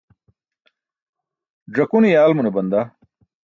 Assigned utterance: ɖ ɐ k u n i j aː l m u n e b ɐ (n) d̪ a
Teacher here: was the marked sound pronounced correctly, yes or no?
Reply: yes